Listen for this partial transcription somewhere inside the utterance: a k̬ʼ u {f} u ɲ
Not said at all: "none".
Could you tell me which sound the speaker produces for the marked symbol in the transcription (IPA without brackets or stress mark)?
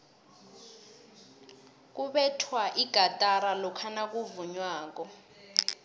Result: v